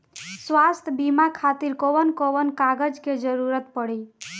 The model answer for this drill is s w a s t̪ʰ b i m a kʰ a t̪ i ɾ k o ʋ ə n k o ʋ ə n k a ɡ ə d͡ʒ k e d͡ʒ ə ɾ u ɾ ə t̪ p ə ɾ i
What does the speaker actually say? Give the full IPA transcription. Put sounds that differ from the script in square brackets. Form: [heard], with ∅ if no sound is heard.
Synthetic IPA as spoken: s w a s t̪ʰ b i m a kʰ a t̪ i ɾ k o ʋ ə n k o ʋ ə n k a ɡ ə d͡ʒ k e d͡ʒ ə ɾ u ɾ ə t̪ p ə [ɽ] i